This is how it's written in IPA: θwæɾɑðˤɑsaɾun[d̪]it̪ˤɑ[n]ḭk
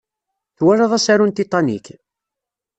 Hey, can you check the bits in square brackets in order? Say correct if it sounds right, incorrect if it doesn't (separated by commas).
incorrect, correct